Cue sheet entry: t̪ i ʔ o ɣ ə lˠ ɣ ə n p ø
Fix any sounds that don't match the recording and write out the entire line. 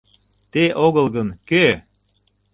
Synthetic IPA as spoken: t̪ e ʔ o ɣ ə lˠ ɣ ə n k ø